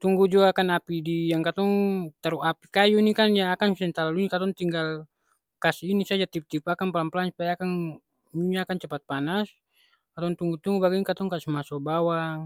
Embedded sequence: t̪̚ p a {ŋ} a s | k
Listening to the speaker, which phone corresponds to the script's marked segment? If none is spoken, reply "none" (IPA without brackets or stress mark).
n